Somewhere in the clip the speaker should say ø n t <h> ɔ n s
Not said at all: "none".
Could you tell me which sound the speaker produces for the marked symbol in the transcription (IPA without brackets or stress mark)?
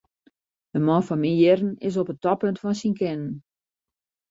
f